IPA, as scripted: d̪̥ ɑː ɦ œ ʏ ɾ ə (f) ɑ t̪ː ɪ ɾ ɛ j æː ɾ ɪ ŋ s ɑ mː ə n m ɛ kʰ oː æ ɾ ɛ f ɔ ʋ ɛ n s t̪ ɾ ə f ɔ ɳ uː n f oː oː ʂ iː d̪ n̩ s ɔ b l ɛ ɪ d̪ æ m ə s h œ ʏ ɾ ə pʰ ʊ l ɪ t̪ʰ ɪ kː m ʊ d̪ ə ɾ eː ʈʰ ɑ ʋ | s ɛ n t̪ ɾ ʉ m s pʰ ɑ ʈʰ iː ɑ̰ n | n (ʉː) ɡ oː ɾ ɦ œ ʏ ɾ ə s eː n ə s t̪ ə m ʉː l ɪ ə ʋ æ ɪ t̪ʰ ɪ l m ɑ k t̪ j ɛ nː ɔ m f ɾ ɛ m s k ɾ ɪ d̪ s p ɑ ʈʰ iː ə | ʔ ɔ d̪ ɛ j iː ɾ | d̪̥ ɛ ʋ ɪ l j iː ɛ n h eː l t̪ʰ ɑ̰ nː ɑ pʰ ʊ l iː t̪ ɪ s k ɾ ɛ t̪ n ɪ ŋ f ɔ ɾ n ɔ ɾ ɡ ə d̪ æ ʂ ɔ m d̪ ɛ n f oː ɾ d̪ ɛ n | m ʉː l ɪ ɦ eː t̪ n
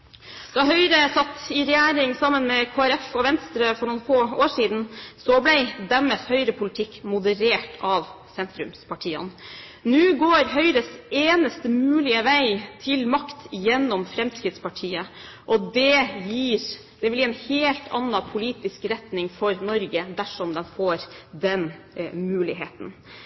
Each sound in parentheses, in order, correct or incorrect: incorrect, correct

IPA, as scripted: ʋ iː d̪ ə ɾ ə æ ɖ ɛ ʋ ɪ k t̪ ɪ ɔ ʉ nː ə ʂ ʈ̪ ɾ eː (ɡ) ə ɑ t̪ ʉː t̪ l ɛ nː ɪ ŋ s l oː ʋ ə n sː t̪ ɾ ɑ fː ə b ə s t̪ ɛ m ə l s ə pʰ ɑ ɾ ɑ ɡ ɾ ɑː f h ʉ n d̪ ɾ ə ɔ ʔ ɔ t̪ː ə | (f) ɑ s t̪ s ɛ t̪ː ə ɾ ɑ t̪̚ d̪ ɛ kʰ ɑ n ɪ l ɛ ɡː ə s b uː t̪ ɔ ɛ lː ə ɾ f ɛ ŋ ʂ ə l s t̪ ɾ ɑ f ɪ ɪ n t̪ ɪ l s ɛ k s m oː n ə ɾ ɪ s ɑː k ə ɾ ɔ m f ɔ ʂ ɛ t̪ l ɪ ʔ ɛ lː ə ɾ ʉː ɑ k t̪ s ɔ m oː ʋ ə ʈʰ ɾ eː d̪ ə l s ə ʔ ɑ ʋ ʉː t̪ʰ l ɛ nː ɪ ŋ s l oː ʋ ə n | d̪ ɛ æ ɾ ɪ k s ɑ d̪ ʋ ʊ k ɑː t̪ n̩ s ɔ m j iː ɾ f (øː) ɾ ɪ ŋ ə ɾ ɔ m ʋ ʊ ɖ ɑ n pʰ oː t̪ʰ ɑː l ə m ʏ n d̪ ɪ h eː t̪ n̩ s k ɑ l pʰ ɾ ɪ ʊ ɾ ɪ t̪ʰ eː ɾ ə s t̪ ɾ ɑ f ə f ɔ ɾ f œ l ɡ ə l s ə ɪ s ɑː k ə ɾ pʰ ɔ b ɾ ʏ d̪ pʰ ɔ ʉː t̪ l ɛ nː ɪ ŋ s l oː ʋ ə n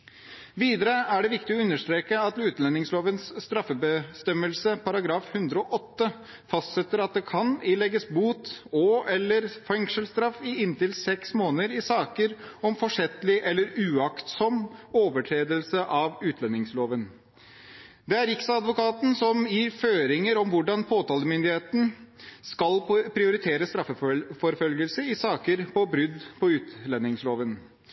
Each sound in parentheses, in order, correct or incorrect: incorrect, correct, correct

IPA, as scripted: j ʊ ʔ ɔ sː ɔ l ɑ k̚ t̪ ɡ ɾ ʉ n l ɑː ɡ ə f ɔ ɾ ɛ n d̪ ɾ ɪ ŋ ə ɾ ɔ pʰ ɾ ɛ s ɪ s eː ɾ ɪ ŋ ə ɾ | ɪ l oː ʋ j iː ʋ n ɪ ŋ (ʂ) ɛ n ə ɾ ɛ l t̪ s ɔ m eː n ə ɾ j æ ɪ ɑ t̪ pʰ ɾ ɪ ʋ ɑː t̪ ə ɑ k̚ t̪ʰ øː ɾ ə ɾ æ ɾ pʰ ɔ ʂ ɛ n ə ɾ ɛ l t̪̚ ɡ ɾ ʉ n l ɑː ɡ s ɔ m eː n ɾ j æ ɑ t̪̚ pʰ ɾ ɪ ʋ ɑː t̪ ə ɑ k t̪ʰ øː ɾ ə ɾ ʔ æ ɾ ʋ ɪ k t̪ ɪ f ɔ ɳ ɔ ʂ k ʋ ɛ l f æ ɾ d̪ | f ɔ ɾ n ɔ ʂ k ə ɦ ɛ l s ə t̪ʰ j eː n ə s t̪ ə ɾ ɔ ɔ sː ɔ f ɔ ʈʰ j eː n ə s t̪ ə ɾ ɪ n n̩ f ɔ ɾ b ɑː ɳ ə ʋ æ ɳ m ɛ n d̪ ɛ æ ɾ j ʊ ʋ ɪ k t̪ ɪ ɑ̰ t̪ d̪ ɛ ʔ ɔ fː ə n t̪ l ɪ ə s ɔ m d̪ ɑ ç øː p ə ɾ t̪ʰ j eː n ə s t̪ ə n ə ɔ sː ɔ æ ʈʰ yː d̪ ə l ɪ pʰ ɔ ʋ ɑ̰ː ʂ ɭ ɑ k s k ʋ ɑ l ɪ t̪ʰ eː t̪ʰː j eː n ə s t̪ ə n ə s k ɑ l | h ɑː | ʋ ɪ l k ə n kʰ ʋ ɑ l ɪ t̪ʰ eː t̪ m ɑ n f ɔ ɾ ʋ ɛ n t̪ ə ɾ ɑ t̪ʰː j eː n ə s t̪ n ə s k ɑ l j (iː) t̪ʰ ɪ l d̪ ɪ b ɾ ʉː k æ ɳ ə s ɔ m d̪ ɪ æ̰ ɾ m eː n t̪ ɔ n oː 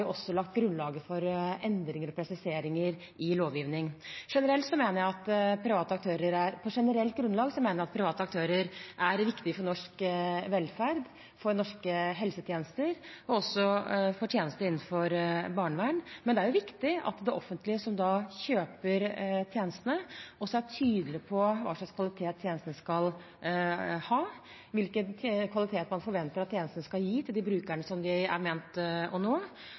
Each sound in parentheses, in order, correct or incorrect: correct, correct

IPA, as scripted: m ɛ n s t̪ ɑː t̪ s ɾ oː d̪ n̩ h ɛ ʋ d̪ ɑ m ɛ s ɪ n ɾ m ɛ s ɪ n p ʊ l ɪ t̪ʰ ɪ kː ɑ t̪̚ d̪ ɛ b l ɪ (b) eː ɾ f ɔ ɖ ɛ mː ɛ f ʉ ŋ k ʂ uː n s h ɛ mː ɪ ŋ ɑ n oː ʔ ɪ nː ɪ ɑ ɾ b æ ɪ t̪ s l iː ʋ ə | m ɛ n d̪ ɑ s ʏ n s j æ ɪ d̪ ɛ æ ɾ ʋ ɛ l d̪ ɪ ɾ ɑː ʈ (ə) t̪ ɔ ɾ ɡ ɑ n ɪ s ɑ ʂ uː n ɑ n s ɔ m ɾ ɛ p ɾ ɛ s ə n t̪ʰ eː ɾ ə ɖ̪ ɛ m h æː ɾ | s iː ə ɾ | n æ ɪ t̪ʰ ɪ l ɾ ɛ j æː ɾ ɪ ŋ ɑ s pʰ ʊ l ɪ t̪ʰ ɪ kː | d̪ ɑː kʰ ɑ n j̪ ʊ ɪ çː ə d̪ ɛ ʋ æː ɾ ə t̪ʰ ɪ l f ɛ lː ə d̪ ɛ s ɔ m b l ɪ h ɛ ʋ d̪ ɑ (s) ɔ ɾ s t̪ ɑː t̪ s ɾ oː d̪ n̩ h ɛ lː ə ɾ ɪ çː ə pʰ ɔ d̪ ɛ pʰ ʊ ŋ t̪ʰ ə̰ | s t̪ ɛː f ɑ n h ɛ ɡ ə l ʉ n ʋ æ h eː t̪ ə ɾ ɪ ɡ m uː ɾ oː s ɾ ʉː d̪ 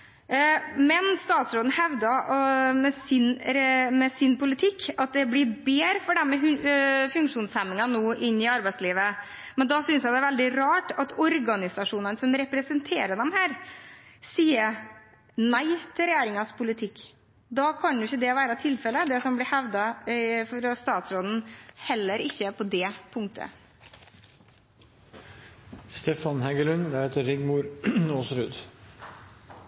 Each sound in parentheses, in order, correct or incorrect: correct, incorrect, incorrect

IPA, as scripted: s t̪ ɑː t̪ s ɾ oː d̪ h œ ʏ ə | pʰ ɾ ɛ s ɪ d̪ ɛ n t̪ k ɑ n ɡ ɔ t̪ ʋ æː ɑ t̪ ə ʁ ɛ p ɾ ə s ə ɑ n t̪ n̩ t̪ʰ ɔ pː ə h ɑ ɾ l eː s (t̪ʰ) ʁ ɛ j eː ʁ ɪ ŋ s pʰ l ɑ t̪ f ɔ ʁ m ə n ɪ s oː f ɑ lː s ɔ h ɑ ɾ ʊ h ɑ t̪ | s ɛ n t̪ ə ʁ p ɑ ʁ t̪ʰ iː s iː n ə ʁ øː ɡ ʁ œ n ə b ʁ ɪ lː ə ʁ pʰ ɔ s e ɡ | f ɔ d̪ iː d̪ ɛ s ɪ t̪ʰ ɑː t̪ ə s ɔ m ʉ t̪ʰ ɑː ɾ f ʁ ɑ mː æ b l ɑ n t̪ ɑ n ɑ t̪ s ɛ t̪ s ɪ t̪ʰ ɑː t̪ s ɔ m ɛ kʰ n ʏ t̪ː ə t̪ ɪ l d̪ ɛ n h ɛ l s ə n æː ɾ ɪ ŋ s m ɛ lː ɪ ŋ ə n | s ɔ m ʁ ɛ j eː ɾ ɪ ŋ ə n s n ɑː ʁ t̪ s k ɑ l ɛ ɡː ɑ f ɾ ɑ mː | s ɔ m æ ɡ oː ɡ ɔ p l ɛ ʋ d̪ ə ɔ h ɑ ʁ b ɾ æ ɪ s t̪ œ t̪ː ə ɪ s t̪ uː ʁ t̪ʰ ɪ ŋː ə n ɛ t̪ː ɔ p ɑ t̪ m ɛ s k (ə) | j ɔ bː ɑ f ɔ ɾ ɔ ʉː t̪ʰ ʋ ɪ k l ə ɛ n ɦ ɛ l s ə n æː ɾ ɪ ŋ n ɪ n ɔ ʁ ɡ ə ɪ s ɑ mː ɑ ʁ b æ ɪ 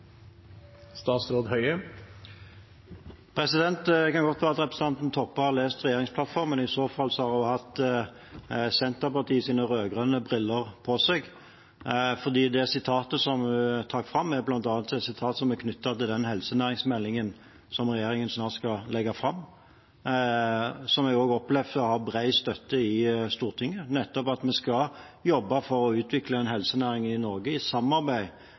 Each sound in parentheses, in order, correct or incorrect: incorrect, incorrect

